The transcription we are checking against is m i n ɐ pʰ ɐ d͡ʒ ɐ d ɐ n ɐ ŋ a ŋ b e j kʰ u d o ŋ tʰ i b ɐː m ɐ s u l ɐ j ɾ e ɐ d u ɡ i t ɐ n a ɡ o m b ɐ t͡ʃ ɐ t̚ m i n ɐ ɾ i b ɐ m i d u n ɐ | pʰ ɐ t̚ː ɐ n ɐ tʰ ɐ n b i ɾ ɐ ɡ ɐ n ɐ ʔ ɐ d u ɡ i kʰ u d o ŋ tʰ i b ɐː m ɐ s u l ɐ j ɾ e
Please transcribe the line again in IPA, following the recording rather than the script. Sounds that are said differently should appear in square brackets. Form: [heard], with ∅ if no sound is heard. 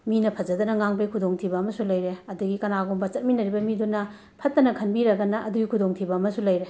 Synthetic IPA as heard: m i n ɐ pʰ ɐ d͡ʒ ɐ d ɐ n ɐ ŋ a ŋ b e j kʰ u d o ŋ tʰ i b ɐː m ɐ s u l ɐ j ɾ e ɐ d u ɡ i [k] ɐ n a ɡ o m b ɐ t͡ʃ ɐ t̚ m i n ɐ ɾ i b ɐ m i d u n ɐ | pʰ ɐ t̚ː ɐ n ɐ [kʰ] ɐ n b i ɾ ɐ ɡ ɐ n ɐ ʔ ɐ d u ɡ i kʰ u d o ŋ tʰ i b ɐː m ɐ s u l ɐ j ɾ e